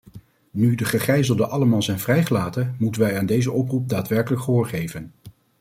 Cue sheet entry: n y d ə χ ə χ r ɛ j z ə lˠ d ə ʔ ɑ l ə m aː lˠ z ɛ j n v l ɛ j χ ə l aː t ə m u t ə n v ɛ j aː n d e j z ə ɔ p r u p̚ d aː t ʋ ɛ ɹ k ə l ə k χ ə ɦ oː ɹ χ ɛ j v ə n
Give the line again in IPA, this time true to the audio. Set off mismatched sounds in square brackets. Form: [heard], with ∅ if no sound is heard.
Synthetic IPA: n y d ə χ ə χ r ɛ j z ə lˠ d ə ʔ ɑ l ə m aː lˠ z ɛ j n v [r] ɛ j χ ə l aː t ə m u t ə n [ʋ] ɛ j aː n d e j z ə ɔ p r u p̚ d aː t ʋ ɛ ɹ k ə l ə k χ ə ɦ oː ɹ χ [e] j v ə n

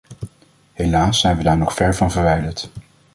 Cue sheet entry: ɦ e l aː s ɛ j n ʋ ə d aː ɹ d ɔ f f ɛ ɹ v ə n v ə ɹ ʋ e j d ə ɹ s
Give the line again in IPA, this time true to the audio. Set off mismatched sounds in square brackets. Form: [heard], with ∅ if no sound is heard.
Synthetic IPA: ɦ e l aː s ɛ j n ʋ ə d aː ɹ [n] ɔ [χ] f ɛ ɹ v [ɑ] n v ə ɹ ʋ [ɛ] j d ə ɹ [t]

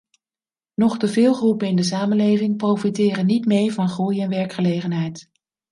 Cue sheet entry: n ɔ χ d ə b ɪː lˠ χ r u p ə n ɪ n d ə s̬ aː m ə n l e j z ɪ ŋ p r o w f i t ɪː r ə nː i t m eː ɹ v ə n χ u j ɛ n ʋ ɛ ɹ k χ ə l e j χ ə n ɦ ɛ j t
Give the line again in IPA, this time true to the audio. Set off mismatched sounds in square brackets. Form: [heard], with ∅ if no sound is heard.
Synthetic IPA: n ɔ χ d ə [v] ɪː lˠ χ r u p ə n ɪ n d ə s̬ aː m ə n l e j [v] ɪ ŋ p r o w f i t ɪː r ə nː i t m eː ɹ v [ɑ] n χ u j ɛ n ʋ ɛ ɹ k χ ə l e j χ ə n ɦ ɛ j t

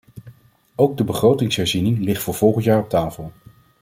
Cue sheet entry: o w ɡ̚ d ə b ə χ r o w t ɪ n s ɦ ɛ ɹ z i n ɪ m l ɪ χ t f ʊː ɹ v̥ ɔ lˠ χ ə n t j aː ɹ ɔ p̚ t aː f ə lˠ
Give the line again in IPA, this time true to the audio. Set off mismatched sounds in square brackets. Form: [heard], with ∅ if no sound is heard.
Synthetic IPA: o w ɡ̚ d ə b ə χ r o w t ɪ [ŋ] s ɦ ɛ ɹ z i n ɪ [ŋ] l ɪ χ t f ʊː ɹ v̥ ɔ lˠ χ ə n t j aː ɹ ɔ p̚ t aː f ə lˠ

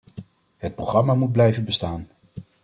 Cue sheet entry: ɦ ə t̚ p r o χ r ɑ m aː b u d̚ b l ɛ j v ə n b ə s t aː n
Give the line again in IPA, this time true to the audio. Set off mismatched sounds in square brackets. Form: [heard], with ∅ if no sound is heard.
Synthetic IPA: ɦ ə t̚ p r o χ r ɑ m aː [m] u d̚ b l ɛ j v ə n b ə s t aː n

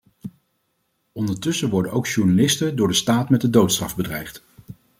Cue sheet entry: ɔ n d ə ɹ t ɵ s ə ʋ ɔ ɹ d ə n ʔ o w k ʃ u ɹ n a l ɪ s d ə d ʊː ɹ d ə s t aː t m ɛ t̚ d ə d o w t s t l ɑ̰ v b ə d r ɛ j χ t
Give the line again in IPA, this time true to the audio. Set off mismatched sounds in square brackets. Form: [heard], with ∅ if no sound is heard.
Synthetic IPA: ɔ n d ə ɹ t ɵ s ə ʋ ɔ ɹ d ə n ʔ o w k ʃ u ɹ n a l ɪ s [t] ə d ʊː ɹ d ə s t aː t m ɛ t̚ d ə d o w t s t [r] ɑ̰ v b ə d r ɛ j χ t

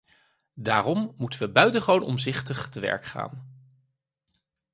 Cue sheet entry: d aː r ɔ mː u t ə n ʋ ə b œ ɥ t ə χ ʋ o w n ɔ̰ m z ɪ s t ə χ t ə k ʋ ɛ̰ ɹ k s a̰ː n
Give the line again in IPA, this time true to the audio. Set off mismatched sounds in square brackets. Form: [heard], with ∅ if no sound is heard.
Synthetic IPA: d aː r ɔ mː u t ə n ʋ ə b œ ɥ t ə χ ʋ o w n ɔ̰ m z ɪ [χ] t ə χ t ə [∅] ʋ ɛ̰ ɹ k [χ] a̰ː n

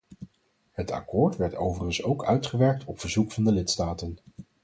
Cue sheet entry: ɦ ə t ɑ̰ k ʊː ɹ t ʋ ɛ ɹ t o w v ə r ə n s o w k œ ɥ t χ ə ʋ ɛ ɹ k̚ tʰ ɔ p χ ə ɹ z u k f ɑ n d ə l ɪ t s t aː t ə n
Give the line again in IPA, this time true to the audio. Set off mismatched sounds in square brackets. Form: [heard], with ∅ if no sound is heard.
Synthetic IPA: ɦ ə t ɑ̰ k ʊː ɹ t ʋ ɛ ɹ t o w v ə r ə n s o w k œ ɥ t χ ə ʋ ɛ ɹ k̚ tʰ ɔ p [f] ə ɹ z u k f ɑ n d ə l ɪ t s t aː t ə n

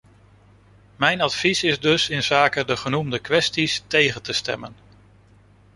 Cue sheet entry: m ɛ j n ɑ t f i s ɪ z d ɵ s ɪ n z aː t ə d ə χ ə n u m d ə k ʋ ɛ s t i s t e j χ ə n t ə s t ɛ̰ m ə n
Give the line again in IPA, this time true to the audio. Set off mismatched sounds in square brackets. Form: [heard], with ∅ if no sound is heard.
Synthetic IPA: m ɛ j n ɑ t f i s ɪ z d ɵ s ɪ n z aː [k] ə d ə χ ə n u m d ə k ʋ ɛ s t i s t e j χ ə n t ə s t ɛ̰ m ə n

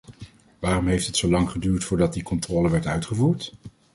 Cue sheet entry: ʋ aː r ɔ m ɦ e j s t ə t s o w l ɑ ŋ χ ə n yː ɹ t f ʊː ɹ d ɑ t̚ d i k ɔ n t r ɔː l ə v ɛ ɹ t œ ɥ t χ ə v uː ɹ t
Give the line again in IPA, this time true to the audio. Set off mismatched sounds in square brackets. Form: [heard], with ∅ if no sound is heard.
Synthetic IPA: ʋ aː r ɔ m ɦ e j [f] t ə t s o w l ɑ ŋ χ ə [d] yː ɹ t f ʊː ɹ d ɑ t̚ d i k ɔ n t r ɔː l ə [ʋ] ɛ ɹ t œ ɥ t χ ə v uː ɹ t

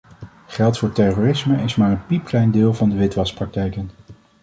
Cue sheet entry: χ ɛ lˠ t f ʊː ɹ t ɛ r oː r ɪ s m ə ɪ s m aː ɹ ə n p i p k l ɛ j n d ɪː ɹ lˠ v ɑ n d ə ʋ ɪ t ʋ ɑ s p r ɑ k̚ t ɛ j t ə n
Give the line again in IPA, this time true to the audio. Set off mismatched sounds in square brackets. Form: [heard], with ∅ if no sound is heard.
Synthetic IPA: χ ɛ lˠ t f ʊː ɹ t ɛ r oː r ɪ s m ə ɪ s m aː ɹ ə n p i p k l ɛ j n d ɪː [∅] lˠ v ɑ n d ə ʋ ɪ t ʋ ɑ s p r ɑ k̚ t ɛ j [k] ə n

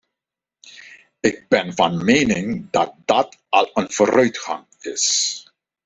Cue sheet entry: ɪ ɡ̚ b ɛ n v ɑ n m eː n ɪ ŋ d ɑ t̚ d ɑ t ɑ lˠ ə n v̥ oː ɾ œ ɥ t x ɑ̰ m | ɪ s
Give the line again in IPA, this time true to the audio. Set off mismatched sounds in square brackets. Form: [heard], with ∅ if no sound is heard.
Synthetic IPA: ɪ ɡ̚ b ɛ n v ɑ n m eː n ɪ ŋ d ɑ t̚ d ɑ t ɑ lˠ ə n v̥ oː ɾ œ ɥ t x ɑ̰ [ŋ] | ɪ s

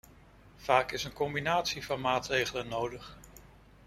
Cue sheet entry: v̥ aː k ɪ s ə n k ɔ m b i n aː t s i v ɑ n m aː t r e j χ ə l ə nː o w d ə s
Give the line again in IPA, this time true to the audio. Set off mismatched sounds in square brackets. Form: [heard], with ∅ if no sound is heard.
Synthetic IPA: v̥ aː k ɪ s ə n k ɔ m b i n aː t s i v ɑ n m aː t r e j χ ə l ə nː o w d ə [χ]

